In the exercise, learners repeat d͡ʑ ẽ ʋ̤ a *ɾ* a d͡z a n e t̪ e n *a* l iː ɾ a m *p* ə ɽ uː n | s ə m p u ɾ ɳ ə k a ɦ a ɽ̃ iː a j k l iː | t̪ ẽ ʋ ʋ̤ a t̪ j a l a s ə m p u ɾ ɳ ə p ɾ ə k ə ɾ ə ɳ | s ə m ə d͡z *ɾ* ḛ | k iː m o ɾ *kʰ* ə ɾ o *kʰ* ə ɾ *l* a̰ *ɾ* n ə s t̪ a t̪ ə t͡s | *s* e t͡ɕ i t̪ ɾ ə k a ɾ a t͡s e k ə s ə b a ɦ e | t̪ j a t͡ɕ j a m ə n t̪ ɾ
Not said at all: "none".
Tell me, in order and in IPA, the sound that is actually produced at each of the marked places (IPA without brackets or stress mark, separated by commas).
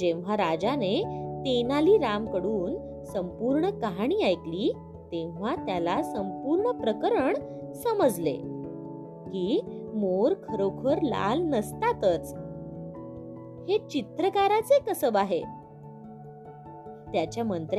ɾ, a, k, l, kʰ, kʰ, l, l, h